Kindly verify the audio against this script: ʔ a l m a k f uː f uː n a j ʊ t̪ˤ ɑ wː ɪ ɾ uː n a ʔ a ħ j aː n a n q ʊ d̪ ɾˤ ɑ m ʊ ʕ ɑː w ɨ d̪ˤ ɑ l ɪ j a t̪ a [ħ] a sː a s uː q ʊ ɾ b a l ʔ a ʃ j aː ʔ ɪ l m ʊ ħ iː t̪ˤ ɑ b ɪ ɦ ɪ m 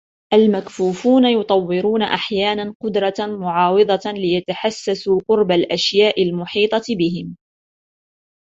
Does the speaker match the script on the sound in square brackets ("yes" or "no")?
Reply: yes